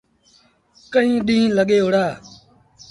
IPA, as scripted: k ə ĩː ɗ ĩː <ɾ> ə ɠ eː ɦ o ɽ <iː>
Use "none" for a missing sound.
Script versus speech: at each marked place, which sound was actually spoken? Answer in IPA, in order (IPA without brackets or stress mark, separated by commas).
l, aː